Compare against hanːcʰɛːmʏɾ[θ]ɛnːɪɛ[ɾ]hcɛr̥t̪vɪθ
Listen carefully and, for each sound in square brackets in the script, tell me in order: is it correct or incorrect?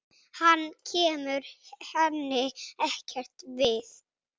incorrect: h, incorrect: none

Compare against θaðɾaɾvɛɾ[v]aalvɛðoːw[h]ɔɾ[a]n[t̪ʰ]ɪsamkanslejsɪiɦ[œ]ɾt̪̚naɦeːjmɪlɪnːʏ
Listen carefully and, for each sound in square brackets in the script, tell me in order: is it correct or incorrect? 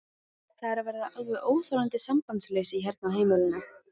incorrect: ð, incorrect: θ, correct, incorrect: t̪, incorrect: ɛ

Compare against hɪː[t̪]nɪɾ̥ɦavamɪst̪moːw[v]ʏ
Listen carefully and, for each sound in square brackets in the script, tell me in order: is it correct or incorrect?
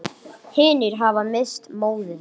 incorrect: none, incorrect: ð

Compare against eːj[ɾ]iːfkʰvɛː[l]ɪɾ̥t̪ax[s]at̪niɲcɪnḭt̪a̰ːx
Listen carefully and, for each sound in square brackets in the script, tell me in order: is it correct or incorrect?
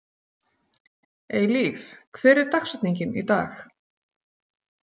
incorrect: l, incorrect: ɾ, correct

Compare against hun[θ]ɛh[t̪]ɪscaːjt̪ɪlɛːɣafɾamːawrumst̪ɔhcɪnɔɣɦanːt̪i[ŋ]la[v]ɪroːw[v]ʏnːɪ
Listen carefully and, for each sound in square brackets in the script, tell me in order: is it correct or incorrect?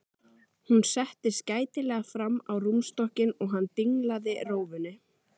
incorrect: s, correct, correct, incorrect: ð, correct

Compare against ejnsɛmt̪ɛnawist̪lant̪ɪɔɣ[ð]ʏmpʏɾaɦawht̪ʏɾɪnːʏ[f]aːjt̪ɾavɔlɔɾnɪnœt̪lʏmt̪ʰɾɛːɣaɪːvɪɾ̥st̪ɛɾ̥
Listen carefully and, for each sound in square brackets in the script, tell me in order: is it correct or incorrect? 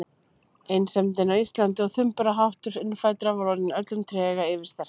incorrect: θ, correct

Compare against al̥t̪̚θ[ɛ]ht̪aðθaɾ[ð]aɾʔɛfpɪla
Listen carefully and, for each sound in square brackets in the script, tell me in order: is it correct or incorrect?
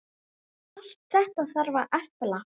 correct, incorrect: v

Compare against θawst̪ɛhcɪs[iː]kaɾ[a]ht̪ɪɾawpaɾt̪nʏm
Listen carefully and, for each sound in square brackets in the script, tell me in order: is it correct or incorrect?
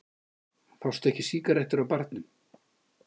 correct, incorrect: ɛ

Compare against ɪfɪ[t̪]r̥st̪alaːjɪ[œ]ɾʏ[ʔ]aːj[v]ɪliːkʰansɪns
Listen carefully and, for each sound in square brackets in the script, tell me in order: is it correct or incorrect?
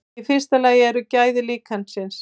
incorrect: none, incorrect: ɛ, incorrect: c, incorrect: ð

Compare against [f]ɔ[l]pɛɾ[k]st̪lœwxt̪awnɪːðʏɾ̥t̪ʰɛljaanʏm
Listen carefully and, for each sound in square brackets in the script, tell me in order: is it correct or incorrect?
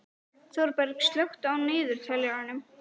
incorrect: θ, incorrect: ɾ, correct

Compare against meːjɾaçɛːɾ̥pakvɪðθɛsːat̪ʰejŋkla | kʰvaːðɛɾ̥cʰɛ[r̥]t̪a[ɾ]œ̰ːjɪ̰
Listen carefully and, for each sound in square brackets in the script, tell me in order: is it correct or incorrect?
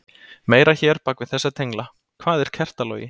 correct, incorrect: l

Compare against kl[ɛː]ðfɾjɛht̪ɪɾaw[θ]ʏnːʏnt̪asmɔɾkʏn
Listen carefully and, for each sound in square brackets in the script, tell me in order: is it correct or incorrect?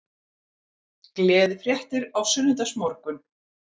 correct, incorrect: s

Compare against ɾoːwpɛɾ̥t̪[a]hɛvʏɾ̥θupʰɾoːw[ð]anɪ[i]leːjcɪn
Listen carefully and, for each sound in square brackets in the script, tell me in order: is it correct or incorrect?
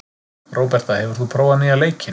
correct, incorrect: v, incorrect: a

